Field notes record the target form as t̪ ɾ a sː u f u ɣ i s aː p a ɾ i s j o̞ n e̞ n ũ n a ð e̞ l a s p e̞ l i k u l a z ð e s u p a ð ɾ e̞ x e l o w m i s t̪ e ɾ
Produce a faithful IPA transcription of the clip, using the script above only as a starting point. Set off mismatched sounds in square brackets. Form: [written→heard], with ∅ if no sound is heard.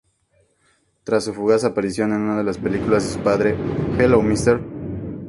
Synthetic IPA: t̪ ɾ a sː u f u ɣ [i→a] s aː p a ɾ i s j o̞ n e̞ n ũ n a ð e̞ l a s p e̞ l i k u l a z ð e s u p a ð ɾ e̞ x e l o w m i s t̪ e ɾ